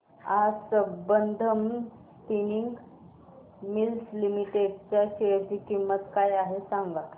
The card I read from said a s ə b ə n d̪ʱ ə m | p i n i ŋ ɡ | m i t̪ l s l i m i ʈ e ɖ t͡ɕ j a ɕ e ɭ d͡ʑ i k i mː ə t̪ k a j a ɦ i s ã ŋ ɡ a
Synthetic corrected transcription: a s ə b ə n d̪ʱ ə m | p i n i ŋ ɡ | m i l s l i m i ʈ e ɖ t͡ɕ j a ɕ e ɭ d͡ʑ i k i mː ə t̪ k a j a ɦ e s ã ŋ ɡ a

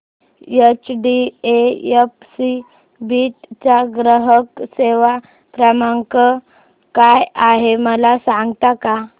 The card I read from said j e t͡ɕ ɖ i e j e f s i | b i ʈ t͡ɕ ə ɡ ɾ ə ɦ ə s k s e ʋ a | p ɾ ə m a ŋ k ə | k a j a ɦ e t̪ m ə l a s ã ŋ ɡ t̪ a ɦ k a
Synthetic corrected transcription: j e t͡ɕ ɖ i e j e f s i | b i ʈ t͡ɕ a ɡ ɾ ə ɦ ə k s e ʋ a | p ɾ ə m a ŋ k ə | k a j a ɦ e m ə l a s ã ŋ ɡ t̪ a k a

